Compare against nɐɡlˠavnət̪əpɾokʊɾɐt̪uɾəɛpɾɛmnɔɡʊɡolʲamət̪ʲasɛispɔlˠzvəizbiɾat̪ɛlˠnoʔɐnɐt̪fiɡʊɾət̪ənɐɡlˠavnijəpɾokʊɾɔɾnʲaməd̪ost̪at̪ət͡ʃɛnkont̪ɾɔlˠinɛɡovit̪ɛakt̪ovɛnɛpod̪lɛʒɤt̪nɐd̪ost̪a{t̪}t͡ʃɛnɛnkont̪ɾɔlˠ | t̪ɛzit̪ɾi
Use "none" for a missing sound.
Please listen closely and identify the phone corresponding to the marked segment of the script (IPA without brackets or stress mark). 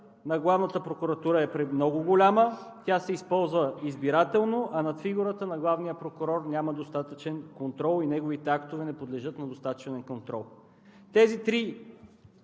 t̪